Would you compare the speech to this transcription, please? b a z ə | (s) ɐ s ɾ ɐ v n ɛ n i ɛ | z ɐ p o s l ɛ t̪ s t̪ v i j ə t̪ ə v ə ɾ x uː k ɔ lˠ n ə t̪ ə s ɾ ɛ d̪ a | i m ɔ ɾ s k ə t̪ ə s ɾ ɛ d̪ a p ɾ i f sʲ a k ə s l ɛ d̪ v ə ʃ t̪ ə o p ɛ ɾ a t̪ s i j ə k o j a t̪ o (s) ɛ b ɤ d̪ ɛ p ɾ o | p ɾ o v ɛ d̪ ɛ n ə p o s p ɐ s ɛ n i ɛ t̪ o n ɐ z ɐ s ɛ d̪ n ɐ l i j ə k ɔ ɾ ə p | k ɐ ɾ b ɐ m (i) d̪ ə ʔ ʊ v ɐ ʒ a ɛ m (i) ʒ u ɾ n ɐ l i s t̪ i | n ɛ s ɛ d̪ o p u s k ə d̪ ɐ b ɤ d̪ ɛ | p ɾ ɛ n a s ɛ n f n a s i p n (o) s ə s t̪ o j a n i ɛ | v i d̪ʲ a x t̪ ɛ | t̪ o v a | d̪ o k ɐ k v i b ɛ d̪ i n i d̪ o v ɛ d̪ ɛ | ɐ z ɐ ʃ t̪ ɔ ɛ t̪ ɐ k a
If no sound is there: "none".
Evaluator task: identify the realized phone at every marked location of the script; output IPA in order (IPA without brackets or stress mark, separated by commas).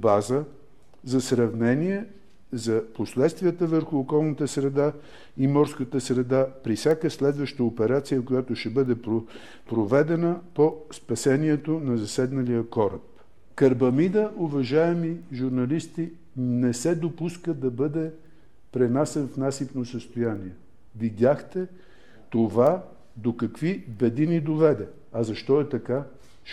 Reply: z, ʃ, i, i, o